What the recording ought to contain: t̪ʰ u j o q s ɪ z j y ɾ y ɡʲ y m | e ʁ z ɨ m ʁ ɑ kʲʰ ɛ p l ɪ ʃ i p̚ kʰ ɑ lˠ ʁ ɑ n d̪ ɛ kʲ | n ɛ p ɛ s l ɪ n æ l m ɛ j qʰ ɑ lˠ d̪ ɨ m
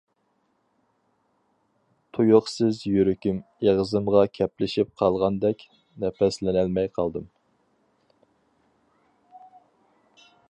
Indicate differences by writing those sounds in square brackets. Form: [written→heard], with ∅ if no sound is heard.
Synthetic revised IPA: t̪ʰ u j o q s ɪ z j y ɾ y [ɡʲ→kʲ] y m | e ʁ z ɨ m ʁ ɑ kʲʰ ɛ p l ɪ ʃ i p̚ [kʰ→qʰ] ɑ lˠ ʁ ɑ n d̪ ɛ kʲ | n ɛ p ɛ s l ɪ n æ l m ɛ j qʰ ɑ lˠ d̪ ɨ m